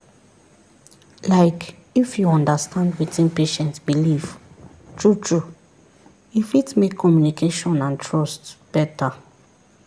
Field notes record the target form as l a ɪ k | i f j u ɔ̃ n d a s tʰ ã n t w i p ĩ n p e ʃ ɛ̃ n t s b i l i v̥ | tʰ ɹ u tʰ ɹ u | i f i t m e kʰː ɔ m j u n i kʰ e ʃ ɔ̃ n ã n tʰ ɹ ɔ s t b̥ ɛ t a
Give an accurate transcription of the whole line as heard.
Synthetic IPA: l a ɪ k | i f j u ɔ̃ n d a s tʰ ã n d w i t ĩ n p e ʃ ɛ̃ n t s b i l i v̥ | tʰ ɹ u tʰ ɹ u | i f i t m e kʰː ɔ m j u n i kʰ e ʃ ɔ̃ n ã n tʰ ɹ ɔ s t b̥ ɛ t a

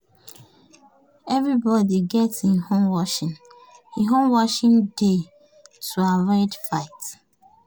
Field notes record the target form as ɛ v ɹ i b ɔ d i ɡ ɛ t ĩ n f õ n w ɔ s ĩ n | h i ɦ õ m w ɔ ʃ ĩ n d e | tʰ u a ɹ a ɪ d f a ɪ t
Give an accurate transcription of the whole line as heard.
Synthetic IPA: ɛ v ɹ i b ɔ d i ɡ ɛ t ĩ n h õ m w ɔ ʃ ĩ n | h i ɦ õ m w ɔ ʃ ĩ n d e | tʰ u a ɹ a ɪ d f a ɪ t

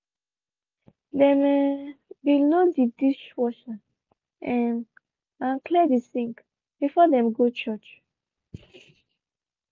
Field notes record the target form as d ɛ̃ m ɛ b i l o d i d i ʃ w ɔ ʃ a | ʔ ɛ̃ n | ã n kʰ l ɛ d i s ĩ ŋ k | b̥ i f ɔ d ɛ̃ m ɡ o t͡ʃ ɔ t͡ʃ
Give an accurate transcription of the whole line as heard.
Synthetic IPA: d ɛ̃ m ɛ b i l o d i d i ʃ w ɔ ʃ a | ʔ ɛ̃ n | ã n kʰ l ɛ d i s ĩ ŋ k | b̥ i f ɔ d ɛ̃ m ɡ o t͡ʃ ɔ t͡ʃ

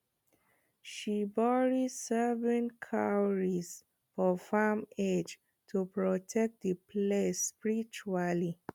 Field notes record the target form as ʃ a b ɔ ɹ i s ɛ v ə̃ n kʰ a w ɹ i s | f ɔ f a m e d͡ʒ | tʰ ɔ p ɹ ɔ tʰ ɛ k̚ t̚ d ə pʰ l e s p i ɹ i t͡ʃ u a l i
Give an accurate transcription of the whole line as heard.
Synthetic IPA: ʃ i b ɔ ɹ i s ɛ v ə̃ n kʰ a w ɹ i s | f ɔ f a m e d͡ʒ | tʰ u p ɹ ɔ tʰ ɛ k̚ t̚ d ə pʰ l e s p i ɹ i t͡ʃ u a l i

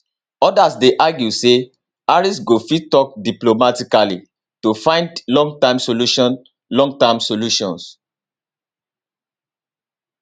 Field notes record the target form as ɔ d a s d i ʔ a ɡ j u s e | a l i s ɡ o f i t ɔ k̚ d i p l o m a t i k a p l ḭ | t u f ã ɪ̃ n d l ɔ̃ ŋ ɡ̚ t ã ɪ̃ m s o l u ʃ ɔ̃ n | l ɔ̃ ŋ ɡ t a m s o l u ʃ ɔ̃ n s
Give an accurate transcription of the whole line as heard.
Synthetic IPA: ɔ d a s d e ʔ a ɡ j u s e | a ɹ i s ɡ o f i t ɔ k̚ d i p l o m a t i k a l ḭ | t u f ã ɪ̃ n d l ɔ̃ ŋ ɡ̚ t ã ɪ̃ m s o l u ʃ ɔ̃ n | l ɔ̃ ŋ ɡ t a m s o l u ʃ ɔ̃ n s

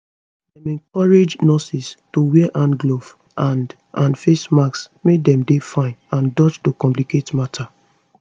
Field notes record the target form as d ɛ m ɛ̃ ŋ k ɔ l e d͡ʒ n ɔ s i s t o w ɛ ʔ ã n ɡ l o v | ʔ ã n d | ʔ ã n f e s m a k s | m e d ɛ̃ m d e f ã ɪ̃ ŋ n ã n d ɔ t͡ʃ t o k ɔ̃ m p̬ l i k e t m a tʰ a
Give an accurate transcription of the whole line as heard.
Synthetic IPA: d ɛ m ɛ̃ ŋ k ɔ ɹ e d͡ʒ n ɔ s i s t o w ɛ ʔ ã n ɡ l o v | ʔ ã n d | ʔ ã n f e s m a k s | m e d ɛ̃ m d e f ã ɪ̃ n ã n d ɔ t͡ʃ t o k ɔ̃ m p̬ l i k e t m a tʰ a

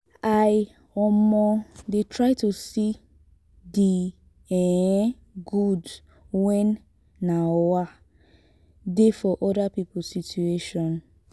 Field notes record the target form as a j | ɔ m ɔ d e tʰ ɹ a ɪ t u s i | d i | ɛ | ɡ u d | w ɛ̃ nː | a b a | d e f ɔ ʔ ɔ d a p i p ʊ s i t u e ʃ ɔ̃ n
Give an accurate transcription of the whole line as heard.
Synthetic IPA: a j | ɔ m ɔ d e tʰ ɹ a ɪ t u s i | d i | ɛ | ɡ u d | w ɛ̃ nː | a w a | d e f ɔ ʔ ɔ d a p i p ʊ s i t u e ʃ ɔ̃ n

